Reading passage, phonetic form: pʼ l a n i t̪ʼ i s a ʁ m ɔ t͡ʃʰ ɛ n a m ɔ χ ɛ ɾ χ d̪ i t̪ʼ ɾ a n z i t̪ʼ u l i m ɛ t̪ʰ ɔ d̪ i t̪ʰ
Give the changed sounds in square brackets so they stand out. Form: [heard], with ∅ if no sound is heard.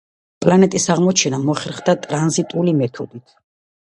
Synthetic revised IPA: pʼ l a n [ɛ] t̪ʼ i s a ʁ m ɔ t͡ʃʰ ɛ n a m ɔ χ ɛ ɾ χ d̪ [a] t̪ʼ ɾ a n z i t̪ʼ u l i m ɛ t̪ʰ ɔ d̪ i t̪ʰ